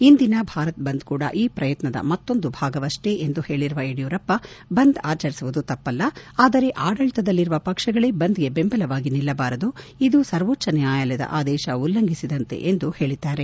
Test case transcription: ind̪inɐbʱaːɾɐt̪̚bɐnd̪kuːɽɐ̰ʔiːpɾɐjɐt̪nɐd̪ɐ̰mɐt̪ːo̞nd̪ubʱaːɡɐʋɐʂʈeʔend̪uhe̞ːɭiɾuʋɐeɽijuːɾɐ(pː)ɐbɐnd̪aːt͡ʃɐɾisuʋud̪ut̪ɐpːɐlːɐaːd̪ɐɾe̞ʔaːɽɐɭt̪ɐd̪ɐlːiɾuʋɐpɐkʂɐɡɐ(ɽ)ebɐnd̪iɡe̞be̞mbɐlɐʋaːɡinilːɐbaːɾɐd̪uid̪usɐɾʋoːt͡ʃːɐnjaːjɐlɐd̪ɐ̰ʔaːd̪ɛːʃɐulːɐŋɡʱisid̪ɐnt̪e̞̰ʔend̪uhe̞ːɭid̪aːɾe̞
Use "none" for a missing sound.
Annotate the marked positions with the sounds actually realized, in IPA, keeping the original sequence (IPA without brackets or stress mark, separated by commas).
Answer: pː, ɭ